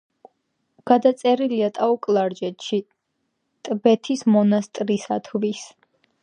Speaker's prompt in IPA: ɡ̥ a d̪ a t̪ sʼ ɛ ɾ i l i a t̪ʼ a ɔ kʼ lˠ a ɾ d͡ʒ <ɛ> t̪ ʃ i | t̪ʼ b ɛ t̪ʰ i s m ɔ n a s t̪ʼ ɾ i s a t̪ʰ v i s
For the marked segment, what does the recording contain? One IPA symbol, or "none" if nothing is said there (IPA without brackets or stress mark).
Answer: ɛ